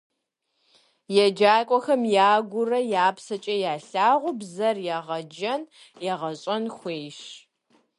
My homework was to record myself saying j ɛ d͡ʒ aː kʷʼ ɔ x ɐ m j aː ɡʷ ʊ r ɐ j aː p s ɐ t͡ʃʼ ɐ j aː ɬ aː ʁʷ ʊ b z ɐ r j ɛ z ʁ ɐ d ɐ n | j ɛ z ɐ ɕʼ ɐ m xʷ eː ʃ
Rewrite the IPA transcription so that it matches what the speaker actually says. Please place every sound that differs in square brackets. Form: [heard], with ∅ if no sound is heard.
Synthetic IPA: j ɛ d͡ʒ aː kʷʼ ɔ x ɐ m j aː ɡʷ ʊ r ɐ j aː p s ɐ t͡ʃʼ ɐ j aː ɬ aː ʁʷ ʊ b z ɐ r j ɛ [∅] ʁ ɐ [d͡ʒ] ɐ n | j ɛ [ʁ] ɐ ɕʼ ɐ [n] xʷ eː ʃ